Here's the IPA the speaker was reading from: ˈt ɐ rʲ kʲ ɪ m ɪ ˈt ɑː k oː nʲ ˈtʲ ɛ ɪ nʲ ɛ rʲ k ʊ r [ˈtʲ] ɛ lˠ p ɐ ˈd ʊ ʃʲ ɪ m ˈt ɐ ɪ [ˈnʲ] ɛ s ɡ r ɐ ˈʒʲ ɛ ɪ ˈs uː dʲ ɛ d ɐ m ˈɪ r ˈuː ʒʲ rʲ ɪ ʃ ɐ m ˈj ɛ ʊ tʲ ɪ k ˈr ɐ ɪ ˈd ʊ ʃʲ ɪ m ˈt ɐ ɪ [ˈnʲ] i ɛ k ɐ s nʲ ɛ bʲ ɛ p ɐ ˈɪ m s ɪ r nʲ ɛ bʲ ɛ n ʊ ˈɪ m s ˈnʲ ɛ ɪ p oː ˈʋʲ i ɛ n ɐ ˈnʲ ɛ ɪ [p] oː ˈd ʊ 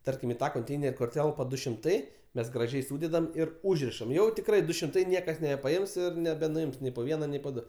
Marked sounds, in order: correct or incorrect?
correct, incorrect: mʲ, correct, correct

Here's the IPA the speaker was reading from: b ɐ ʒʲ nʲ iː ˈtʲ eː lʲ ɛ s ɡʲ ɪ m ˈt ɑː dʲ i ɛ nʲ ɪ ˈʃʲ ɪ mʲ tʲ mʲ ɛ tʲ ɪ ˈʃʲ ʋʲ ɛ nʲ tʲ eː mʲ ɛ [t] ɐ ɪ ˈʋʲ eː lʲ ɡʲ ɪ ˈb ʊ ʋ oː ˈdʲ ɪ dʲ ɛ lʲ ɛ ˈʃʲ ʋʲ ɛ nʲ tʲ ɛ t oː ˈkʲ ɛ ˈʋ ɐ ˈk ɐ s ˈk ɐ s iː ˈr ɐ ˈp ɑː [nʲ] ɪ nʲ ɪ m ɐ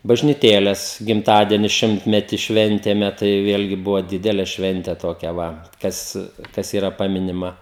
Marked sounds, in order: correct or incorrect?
correct, incorrect: mʲ

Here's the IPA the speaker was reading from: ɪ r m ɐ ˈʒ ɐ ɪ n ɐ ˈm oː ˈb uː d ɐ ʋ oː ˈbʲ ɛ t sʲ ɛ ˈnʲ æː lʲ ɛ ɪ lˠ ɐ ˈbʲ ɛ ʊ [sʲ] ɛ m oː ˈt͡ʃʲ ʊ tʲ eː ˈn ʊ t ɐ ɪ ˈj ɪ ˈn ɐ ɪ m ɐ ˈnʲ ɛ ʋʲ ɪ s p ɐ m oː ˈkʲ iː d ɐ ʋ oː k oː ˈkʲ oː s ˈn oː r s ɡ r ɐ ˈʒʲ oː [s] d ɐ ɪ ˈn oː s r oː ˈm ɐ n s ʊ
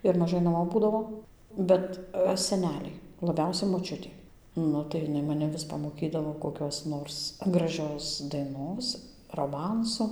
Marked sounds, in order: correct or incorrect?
correct, correct

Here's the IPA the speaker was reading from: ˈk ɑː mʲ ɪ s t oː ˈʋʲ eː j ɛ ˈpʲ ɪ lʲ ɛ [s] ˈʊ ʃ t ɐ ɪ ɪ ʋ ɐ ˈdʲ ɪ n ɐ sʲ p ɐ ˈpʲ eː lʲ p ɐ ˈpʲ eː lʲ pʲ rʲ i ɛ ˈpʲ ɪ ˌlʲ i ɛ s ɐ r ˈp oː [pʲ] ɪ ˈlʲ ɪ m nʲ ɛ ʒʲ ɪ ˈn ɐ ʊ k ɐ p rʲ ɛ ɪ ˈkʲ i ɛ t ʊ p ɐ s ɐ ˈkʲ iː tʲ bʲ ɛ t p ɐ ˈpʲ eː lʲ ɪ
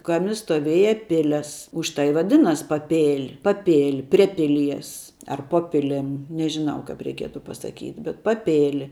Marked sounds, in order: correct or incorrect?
correct, correct

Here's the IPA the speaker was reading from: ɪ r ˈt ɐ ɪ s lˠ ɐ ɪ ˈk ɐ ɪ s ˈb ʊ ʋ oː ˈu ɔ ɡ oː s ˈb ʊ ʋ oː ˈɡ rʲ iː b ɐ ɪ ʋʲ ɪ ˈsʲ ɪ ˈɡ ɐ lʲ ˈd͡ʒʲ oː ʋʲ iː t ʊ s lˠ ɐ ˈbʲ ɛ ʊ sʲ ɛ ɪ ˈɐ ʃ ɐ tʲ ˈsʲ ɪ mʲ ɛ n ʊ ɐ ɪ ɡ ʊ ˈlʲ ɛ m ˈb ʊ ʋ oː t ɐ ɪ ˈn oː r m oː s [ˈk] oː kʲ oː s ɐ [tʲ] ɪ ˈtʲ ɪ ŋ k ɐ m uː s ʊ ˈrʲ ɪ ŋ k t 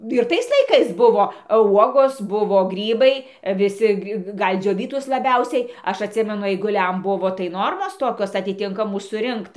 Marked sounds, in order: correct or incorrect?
incorrect: t, correct

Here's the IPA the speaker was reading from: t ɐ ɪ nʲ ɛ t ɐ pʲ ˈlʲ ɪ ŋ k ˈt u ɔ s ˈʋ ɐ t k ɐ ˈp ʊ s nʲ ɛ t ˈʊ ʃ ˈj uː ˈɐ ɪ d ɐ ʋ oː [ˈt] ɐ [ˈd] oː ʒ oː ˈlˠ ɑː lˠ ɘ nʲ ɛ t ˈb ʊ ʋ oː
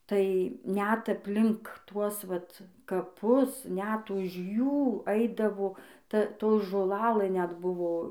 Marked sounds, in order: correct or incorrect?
correct, incorrect: t

